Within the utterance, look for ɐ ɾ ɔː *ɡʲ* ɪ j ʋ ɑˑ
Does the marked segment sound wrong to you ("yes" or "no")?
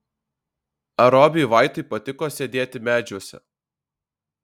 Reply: yes